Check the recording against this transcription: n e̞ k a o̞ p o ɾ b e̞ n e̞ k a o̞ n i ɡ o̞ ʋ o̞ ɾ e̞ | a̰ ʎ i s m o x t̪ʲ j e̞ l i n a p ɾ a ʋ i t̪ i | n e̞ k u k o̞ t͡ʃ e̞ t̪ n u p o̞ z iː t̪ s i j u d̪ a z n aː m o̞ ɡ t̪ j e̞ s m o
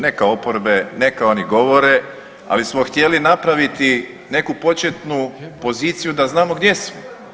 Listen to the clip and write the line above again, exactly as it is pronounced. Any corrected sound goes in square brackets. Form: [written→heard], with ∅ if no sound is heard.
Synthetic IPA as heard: n e̞ k a o̞ p o ɾ b e̞ n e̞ k a o̞ n i ɡ o̞ ʋ o̞ ɾ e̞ | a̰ [ʎ→l] i s m o x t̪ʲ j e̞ l i n a p ɾ a ʋ i t̪ i | n e̞ k u [k→p] o̞ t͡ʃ e̞ t̪ n u p o̞ z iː t̪ s i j u d̪ a z n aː m o̞ ɡ [t̪→d̪] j e̞ s m o